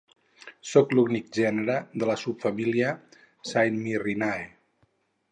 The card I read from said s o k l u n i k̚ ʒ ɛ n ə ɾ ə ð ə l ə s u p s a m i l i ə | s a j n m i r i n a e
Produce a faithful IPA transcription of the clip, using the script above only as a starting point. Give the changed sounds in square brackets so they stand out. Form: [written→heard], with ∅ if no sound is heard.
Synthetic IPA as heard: s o k l u n i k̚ ʒ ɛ n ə ɾ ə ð ə l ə s u p [s→f] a m i l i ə | s a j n m i r i n a e